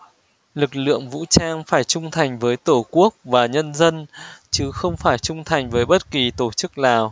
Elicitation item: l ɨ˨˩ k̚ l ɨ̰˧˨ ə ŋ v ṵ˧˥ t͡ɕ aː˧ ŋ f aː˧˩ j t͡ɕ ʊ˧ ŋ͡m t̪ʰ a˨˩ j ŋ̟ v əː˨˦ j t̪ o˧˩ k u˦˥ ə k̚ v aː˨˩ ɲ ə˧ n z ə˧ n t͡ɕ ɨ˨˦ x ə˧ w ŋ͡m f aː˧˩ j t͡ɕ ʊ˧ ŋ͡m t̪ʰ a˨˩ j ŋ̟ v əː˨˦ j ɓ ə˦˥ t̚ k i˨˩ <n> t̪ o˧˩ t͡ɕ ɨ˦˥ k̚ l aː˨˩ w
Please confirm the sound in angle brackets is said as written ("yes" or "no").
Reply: no